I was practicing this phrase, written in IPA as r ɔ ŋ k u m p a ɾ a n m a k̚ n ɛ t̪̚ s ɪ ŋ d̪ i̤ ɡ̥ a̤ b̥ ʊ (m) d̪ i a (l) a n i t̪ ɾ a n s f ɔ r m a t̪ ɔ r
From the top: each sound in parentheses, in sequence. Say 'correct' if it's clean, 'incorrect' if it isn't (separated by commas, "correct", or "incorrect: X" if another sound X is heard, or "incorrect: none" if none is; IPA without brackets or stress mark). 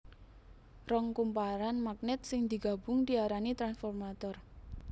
incorrect: ŋ, incorrect: ɾ